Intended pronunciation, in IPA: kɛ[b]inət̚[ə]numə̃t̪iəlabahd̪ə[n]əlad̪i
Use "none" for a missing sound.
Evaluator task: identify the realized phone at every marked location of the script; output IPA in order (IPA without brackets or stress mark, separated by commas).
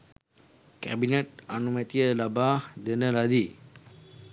b, a, n